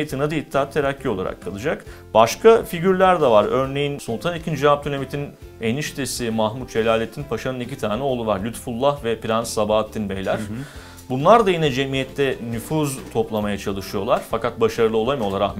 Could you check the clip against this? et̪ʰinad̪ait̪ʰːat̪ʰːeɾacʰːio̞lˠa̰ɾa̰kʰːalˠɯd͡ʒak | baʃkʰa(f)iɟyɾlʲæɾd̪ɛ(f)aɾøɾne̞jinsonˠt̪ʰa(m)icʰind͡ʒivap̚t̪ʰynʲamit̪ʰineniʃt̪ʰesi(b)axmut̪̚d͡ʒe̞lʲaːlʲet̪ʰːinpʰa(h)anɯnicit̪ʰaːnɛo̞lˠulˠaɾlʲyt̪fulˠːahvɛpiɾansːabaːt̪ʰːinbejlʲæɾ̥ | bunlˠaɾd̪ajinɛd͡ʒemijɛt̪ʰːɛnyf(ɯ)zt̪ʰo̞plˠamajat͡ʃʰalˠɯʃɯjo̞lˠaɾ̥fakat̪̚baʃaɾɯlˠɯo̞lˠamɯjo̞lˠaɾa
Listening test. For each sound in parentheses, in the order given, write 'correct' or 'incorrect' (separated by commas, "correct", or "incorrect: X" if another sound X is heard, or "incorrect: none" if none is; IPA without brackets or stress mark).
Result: correct, incorrect: v, incorrect: n, incorrect: m, incorrect: ʃ, incorrect: u